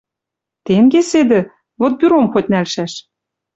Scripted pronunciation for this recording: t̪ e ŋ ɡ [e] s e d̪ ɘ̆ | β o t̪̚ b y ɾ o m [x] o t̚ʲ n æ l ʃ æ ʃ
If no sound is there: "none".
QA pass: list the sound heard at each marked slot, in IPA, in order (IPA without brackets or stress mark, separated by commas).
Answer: e, x